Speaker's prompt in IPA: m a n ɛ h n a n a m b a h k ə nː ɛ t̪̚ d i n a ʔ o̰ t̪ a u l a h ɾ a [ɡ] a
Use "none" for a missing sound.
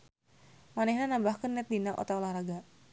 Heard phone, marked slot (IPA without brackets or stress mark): ɡ